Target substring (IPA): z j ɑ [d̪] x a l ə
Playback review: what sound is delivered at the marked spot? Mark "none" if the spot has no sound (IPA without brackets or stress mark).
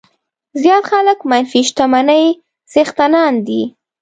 t̪